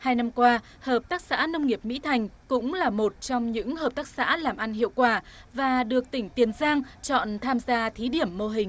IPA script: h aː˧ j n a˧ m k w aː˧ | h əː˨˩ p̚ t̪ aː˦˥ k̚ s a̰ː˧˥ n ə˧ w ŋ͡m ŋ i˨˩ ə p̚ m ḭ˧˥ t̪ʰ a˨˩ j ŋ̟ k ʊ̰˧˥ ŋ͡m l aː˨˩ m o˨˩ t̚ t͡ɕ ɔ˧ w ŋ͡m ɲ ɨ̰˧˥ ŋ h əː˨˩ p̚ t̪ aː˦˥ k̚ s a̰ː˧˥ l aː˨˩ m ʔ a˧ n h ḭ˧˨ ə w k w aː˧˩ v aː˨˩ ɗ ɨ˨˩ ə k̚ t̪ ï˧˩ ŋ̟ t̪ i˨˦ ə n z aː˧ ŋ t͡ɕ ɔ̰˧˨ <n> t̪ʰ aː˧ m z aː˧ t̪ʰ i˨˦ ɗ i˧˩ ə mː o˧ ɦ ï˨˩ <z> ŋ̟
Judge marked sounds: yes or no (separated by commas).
yes, no